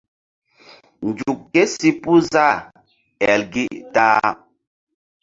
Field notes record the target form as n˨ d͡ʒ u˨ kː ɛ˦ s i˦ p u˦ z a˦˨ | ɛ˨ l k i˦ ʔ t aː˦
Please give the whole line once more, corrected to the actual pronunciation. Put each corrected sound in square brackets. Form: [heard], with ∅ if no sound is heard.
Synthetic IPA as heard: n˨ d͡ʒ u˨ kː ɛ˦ s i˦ p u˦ z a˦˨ | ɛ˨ l [ɡ] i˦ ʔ t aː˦